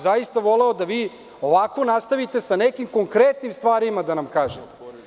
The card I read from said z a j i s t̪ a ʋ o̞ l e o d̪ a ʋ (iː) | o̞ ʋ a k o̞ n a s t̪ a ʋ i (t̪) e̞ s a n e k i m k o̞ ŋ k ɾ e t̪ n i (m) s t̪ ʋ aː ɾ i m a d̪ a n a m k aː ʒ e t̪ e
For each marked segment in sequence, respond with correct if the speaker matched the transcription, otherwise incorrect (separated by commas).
correct, correct, correct